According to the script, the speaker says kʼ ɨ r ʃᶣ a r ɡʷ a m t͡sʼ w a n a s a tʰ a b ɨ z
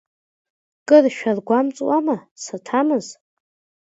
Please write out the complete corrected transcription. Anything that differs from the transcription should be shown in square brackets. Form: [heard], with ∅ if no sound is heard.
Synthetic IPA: kʼ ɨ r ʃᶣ a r ɡʷ a m t͡sʼ w a [m] a s a tʰ a [m] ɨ z

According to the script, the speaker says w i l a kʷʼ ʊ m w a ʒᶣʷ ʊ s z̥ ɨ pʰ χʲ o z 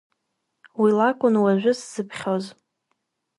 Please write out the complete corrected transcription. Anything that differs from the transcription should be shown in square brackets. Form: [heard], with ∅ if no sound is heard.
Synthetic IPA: w i l a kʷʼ ʊ [n] w a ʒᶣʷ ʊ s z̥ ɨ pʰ χʲ o z

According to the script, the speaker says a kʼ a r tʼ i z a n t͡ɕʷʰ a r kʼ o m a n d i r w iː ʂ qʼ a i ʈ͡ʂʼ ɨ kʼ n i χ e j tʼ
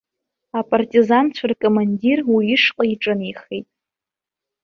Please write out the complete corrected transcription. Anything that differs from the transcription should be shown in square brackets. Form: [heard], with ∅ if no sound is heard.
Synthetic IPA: a [pʼ] a r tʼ i z a n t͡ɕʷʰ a r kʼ o m a n d i r w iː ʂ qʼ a i ʈ͡ʂʼ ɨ [∅] n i χ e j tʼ

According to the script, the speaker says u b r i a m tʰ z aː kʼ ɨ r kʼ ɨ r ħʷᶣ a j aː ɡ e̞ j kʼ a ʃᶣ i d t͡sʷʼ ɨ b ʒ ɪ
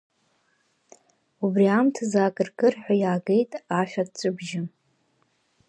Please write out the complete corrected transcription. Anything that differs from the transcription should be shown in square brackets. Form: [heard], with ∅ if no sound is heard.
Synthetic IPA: u b r i a m tʰ z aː kʼ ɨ r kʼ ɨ r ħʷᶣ a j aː ɡ e̞ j [tʼ] a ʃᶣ [a] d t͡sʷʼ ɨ b ʒ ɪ

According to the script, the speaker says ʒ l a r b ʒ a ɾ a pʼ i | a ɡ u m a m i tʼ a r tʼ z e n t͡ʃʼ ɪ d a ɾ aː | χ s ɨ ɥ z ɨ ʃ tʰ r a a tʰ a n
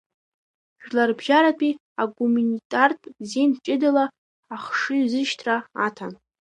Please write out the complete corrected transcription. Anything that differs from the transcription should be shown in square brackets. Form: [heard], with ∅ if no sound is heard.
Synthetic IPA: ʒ l a r b ʒ a ɾ a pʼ i | a ɡ u m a [n] i tʼ a r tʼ z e n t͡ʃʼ ɪ d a [l] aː | χ [ʂ] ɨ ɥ z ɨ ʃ tʰ r a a tʰ a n

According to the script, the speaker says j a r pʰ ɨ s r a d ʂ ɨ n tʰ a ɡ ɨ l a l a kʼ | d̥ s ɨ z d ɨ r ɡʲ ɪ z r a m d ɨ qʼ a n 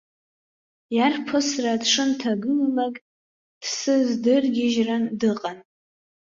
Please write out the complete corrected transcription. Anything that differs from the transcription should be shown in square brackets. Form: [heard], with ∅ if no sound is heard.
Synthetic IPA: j a r pʰ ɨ s r a d ʂ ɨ n tʰ a ɡ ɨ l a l a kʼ | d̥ s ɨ z d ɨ r ɡʲ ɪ [ʒ] r a [n] d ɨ qʼ a n

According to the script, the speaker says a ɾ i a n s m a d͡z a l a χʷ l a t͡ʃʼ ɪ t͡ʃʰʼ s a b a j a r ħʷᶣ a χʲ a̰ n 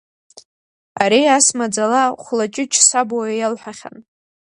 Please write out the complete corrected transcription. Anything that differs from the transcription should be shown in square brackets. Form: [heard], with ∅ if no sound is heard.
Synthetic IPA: a ɾ i a [∅] s m a d͡z a l a χʷ l a t͡ʃʼ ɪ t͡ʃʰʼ s a b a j a [l] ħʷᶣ a χʲ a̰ n

